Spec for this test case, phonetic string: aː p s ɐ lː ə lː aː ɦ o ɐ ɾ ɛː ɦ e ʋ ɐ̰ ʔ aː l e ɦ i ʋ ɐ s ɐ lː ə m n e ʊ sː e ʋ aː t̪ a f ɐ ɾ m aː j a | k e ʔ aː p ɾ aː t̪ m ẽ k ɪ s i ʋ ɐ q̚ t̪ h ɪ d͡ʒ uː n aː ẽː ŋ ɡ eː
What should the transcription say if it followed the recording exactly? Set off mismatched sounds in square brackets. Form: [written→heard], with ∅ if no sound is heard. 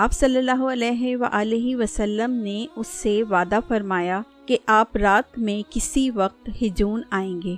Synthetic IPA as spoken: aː p s ɐ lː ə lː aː ɦ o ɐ [ɾ→l] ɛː ɦ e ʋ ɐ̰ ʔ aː l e ɦ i ʋ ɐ s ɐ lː ə m n e ʊ sː e ʋ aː [t̪→d̪] a f ɐ ɾ m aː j a | k e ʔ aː p ɾ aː t̪ m ẽ k ɪ s i ʋ ɐ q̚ t̪ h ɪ d͡ʒ uː n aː ẽː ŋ ɡ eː